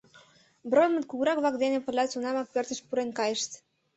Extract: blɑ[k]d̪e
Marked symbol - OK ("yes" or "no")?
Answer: yes